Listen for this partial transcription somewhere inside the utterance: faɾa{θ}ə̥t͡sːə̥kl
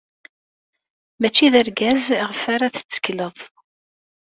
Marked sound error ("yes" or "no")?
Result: no